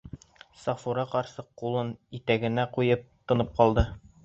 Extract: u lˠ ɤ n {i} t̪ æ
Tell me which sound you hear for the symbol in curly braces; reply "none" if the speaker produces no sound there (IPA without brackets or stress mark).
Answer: i